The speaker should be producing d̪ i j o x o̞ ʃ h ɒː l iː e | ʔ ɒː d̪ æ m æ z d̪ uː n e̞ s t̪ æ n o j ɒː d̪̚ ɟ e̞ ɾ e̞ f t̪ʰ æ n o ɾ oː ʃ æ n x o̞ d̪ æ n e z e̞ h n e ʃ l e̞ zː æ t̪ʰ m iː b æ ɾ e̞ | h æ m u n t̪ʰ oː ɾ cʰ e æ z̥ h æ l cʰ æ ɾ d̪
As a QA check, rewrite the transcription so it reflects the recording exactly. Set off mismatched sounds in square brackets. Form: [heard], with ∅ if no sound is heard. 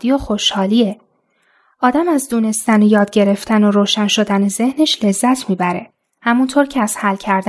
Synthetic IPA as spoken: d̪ i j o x o̞ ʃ h ɒː l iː e | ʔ ɒː d̪ æ m æ z d̪ uː n e̞ s t̪ æ n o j ɒː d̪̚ ɟ e̞ ɾ e̞ f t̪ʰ æ n o ɾ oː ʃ æ n [ʃ] o̞ d̪ æ n e z e̞ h n e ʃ l e̞ zː æ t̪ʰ m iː b æ ɾ e̞ | h æ m u n t̪ʰ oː ɾ cʰ e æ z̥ h æ l cʰ æ ɾ d̪